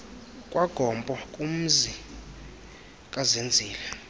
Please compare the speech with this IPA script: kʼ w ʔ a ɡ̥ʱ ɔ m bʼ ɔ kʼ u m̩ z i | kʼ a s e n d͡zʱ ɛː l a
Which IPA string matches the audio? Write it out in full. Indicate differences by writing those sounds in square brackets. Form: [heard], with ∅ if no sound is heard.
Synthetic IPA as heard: kʼ w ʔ a ɡ̥ʱ ɔ m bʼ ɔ kʼ u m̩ z i | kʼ a [z] e n d͡zʱ [iː] l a